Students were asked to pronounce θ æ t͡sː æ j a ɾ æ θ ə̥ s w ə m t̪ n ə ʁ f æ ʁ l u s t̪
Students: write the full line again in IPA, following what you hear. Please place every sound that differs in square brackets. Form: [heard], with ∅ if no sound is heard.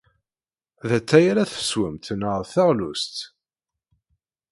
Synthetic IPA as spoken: [ð] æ t͡sː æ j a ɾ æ θ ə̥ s w ə m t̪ n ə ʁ [θ] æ ʁ l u s t̪